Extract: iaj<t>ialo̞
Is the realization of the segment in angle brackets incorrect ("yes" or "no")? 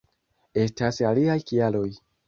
yes